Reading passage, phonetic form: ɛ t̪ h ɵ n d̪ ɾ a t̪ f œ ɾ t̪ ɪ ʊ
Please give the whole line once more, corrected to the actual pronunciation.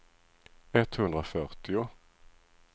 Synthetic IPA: ɛ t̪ h ɵ n d̪ ɾ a f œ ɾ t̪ ɪ ʊ

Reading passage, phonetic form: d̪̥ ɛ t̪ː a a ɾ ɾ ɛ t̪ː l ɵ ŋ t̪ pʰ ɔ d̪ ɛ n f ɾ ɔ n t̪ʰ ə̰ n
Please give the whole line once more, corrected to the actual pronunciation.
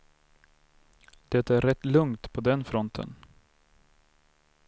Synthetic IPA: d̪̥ ɛ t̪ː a æ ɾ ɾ ɛ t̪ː l ɵ ŋ t̪ pʰ ɔ d̪ ɛ n f ɾ ɔ n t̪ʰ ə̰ n

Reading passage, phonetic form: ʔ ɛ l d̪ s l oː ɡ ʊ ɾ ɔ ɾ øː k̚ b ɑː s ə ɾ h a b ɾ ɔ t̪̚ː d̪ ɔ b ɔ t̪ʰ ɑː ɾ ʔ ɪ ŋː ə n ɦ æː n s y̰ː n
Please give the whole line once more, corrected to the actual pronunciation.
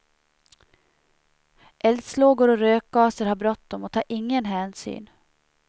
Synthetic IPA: ʔ ɛ l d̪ s l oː ɡ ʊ ɾ ɔ ɾ øː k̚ ɡ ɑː s ə ɾ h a b ɾ ɔ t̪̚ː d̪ ɔ m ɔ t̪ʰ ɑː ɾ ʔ ɪ ŋː ə n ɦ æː n s y̰ː n

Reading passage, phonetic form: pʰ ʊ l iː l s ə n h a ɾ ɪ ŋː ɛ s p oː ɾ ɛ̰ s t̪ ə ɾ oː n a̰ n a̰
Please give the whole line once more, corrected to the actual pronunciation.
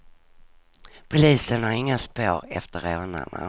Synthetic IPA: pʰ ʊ l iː s ə n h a ɾ ɪ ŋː a s p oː ɾ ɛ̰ f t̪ ə ɾ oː n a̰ n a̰

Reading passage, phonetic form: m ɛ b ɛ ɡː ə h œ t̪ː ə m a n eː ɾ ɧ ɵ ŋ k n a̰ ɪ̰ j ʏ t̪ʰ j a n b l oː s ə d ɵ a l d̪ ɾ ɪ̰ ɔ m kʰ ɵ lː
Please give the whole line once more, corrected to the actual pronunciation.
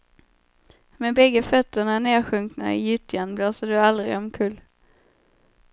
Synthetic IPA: m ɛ b ɛ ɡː ə f œ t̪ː ə ɳ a n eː ɾ ɧ ɵ ŋ k n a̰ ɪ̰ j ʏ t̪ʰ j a n b l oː s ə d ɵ a l d̪ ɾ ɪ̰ ɔ m kʰ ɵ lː

